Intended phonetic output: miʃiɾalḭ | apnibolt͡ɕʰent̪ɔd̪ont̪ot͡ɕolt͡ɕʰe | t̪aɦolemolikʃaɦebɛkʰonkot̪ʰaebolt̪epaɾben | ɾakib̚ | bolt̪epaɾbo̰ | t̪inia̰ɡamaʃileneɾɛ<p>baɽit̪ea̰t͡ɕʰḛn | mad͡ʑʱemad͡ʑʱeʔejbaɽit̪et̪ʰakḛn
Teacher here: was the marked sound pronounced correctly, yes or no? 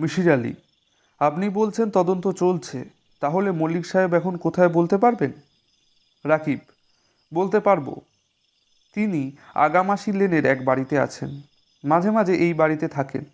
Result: no